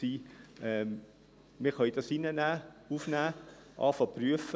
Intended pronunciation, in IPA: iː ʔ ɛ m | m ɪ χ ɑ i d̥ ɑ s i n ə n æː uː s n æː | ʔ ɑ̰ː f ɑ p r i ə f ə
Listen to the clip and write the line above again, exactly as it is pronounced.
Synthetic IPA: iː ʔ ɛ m | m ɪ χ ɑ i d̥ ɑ s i n ə n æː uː f n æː | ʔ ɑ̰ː f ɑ p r y ə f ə

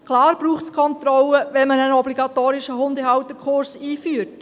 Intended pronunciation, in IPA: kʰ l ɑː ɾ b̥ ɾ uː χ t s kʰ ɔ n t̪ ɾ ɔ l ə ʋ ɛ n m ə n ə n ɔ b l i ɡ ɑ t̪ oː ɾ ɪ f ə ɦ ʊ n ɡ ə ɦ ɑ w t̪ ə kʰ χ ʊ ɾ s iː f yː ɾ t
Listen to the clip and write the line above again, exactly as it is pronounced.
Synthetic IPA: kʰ l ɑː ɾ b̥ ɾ uː χ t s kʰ ɔ n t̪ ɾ ɔ l ə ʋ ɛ n m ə n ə n ɔ b l i ɡ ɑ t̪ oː ɾ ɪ ʃ ə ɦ ʊ n d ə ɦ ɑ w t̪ ə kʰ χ ʊ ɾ s iː f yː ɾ t

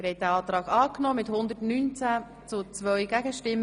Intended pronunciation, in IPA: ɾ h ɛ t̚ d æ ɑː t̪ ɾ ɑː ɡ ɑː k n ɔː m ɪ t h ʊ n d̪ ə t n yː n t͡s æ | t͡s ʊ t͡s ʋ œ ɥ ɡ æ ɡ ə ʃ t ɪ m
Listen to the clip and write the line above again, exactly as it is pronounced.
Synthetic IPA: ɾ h ɛ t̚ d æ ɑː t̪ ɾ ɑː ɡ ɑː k n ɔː m ɪ t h ʊ n d̪ ə t n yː n t͡s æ | t͡s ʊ t͡s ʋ œ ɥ ɡ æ ɡ ə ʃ t ɪ m

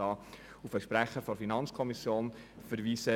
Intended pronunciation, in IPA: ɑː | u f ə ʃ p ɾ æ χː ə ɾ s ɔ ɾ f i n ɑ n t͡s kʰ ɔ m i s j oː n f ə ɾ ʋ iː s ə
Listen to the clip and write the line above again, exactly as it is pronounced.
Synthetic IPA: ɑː | u f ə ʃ p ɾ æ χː ə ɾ f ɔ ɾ f i n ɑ n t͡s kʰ ɔ m i s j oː n f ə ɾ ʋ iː s ə

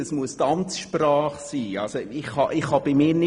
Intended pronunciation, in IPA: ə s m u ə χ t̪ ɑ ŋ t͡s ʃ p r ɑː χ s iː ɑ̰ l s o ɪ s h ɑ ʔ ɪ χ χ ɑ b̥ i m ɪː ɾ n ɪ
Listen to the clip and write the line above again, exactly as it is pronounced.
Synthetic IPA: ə s m u ə s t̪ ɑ m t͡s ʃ p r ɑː χ s iː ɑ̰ l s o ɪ χ h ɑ ʔ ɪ χ h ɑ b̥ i m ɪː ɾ n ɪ

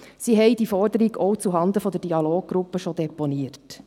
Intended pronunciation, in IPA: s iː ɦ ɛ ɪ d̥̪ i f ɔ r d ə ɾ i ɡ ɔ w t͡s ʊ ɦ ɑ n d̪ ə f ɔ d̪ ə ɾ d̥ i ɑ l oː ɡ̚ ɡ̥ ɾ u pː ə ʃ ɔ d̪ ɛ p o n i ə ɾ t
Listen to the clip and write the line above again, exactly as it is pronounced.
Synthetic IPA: s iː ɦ ɛ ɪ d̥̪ i f ɔ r d ə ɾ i ɡ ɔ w t͡s u ɦ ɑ n d̪ ə f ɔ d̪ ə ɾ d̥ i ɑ l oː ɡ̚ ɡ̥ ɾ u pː ə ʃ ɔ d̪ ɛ p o n i ə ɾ t

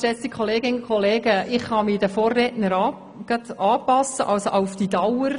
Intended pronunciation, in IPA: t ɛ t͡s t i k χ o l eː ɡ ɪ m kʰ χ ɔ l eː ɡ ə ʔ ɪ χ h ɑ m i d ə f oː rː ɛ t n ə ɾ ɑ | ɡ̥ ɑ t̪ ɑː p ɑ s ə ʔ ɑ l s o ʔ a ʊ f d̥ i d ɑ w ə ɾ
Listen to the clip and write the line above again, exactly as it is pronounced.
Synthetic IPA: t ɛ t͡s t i k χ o l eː ɡ ɪ n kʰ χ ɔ l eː ɡ ə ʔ ɪ χ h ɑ m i d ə f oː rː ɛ t n ə ɾ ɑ | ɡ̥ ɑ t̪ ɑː p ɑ s ə ʔ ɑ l s o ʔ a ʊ f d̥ i d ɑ w ə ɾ

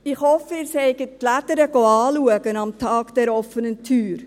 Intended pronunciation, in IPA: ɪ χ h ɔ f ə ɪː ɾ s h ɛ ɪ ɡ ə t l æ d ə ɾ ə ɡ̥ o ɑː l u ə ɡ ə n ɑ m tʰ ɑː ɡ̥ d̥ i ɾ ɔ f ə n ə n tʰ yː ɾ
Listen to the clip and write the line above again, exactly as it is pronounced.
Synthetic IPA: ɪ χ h ɔ f ə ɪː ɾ s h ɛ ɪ ɡ ə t l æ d ə ɾ ə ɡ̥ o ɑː l u ə ɡ ə n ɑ m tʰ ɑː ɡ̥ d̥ ɛ ɾ ɔ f ə n ə n tʰ yː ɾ

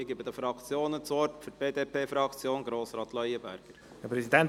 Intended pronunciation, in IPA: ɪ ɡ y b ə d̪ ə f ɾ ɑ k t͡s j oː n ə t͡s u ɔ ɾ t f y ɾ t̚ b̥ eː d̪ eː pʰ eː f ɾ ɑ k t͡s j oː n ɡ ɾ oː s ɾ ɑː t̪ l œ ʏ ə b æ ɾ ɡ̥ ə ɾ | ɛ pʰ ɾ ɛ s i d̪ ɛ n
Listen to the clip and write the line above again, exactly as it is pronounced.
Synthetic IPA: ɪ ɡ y b ə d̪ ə f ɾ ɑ k t͡s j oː n ə t͡s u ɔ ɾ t f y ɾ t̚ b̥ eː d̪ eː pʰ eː f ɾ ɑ k t͡s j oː n ɡ ɾ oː s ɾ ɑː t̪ l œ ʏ ə b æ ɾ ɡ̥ ə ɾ | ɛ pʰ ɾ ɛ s i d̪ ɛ n

